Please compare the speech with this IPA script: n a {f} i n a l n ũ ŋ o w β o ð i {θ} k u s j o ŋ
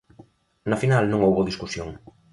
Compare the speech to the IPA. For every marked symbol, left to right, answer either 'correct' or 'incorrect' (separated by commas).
correct, incorrect